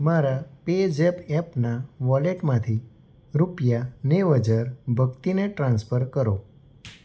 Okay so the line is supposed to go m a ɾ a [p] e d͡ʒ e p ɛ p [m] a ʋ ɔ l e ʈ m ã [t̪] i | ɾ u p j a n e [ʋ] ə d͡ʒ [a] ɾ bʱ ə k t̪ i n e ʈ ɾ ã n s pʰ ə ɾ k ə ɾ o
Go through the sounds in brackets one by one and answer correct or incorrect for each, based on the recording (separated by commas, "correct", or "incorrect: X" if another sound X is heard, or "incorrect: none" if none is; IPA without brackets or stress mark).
correct, incorrect: n, incorrect: t̪ʰ, correct, incorrect: ə